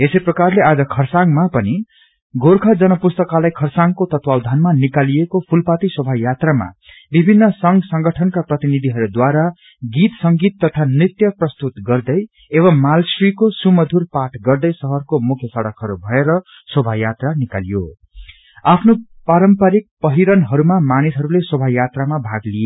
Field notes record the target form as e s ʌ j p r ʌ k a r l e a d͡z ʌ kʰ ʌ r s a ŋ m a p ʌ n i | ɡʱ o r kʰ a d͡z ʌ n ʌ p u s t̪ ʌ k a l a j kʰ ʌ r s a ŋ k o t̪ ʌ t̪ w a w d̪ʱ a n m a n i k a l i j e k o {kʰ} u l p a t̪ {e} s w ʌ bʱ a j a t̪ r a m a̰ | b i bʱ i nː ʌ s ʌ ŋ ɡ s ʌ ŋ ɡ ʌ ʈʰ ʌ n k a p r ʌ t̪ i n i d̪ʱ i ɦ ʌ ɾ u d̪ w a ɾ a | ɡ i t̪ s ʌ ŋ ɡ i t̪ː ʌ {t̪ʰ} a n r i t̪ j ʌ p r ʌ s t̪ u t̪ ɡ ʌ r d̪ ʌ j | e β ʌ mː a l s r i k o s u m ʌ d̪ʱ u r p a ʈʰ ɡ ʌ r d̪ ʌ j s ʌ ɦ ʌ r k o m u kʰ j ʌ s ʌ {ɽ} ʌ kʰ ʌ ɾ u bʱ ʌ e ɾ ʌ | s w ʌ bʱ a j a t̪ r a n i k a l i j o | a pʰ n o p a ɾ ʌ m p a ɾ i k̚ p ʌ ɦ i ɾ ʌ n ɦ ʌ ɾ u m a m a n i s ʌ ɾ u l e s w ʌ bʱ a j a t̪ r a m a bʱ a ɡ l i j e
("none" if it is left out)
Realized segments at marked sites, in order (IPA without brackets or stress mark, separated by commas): pʰ, i, t̪ʰ, ɽ